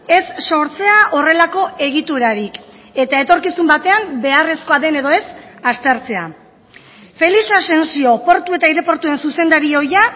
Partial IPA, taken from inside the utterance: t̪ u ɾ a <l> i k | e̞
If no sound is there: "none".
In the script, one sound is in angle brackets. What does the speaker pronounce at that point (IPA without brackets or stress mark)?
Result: ɾ